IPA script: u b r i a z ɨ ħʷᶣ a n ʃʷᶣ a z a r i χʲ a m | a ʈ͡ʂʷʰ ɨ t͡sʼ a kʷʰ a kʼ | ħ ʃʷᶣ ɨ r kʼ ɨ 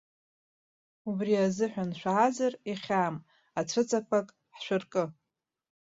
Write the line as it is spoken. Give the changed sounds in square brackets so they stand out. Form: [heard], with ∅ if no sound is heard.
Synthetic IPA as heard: u b r i a z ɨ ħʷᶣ a n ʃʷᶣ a z a r i χʲ a m | a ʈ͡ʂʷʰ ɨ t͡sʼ a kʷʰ a kʼ | ħ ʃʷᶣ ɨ r kʼ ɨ